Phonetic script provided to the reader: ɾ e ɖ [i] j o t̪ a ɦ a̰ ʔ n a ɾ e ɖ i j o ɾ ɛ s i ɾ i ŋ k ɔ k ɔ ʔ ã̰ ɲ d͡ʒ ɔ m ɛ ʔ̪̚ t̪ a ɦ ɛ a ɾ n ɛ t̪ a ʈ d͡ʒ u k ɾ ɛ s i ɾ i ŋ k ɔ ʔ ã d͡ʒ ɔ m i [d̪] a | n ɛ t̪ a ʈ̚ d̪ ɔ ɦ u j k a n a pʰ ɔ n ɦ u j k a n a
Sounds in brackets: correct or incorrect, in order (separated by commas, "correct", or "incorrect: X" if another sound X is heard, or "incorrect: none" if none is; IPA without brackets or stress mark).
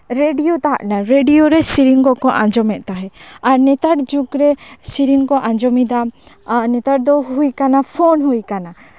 correct, correct